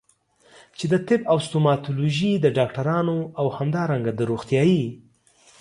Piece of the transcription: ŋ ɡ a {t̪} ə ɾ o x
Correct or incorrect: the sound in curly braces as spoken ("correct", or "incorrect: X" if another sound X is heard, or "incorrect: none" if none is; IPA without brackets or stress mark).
incorrect: d̪